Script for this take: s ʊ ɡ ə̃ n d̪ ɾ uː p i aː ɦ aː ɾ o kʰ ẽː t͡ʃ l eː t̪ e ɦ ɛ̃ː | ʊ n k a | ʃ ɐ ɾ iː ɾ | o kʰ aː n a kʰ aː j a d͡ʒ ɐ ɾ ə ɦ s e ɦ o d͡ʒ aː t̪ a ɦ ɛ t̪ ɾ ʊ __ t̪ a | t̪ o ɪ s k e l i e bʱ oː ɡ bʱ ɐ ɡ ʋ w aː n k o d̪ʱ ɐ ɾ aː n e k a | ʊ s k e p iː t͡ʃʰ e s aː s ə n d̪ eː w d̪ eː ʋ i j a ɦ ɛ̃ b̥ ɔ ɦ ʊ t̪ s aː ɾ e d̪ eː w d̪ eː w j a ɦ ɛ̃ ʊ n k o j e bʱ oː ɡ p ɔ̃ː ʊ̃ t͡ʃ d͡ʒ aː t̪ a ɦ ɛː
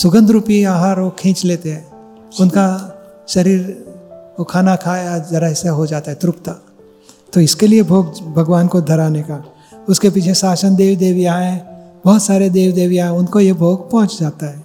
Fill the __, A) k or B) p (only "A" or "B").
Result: B